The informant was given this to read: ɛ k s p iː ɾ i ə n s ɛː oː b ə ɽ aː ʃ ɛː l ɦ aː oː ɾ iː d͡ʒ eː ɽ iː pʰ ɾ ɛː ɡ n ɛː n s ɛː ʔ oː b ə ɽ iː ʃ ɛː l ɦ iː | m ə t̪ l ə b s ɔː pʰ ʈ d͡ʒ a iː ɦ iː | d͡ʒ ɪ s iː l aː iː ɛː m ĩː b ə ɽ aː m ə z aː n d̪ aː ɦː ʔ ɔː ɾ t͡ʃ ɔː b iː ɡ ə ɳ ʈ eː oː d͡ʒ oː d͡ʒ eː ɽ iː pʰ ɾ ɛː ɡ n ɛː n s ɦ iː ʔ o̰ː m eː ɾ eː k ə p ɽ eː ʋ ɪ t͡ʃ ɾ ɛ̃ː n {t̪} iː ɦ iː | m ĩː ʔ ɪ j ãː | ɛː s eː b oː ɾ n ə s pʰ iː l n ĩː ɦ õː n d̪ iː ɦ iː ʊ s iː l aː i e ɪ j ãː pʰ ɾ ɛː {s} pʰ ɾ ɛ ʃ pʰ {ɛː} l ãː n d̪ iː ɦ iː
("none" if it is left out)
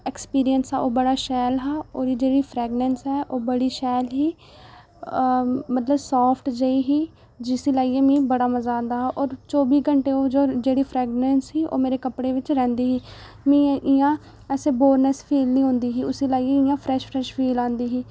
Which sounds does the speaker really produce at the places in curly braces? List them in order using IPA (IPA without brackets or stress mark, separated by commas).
d̪, ʃ, iː